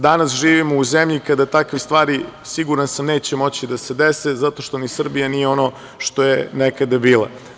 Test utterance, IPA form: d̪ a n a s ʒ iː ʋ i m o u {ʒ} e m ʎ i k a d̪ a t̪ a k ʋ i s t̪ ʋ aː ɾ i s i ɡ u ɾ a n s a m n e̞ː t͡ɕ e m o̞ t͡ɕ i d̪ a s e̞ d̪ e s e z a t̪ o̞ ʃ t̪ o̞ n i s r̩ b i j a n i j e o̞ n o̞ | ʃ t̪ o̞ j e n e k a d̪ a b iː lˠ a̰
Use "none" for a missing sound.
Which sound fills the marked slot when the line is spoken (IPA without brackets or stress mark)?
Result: z